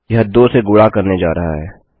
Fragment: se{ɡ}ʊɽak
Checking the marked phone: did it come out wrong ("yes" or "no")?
no